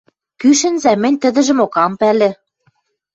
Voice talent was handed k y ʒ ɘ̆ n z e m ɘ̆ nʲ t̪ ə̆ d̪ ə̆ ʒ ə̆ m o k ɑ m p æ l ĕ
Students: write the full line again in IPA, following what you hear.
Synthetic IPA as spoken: k y ʃ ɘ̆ n z æ m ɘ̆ nʲ t̪ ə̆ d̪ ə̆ ʒ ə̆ m o k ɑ m p æ l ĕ